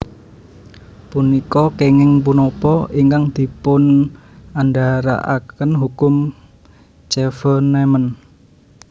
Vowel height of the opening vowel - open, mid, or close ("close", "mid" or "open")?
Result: close